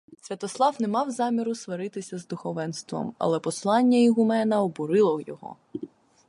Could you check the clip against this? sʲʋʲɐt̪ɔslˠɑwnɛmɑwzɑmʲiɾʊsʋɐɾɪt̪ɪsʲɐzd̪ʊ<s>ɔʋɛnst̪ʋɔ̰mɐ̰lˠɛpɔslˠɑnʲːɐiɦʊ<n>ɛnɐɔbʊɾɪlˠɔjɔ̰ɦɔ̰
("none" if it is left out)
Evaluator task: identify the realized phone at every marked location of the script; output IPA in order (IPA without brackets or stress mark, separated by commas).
x, m